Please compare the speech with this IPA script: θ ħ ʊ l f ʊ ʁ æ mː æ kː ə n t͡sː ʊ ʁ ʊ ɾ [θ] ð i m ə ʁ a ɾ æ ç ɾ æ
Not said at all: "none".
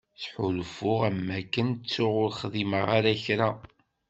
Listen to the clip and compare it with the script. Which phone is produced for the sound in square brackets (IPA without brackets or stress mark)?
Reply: χ